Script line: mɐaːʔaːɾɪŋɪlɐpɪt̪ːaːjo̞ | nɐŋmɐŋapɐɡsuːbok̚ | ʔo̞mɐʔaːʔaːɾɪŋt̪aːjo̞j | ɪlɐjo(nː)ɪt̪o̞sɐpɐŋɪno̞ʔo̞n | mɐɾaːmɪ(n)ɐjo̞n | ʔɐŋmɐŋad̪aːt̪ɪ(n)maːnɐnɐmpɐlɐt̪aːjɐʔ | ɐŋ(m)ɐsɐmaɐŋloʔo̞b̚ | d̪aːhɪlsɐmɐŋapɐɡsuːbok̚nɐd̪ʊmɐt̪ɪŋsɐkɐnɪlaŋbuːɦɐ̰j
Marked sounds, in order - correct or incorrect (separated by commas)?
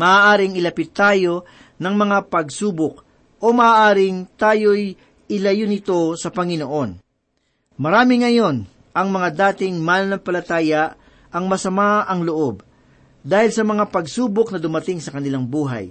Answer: incorrect, incorrect, incorrect, correct